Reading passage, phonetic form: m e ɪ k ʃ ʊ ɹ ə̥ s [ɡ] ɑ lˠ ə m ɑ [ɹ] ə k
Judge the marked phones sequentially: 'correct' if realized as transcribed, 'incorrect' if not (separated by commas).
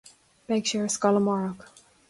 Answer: incorrect, correct